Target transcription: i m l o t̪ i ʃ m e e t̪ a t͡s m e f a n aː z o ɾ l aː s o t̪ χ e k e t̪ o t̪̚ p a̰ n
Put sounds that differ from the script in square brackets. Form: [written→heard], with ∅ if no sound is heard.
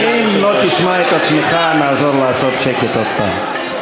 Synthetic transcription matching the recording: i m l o t̪ i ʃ m [e→a] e t̪ a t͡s m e [f→χ] a n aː z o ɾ l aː s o t̪ [χ→ʃ] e k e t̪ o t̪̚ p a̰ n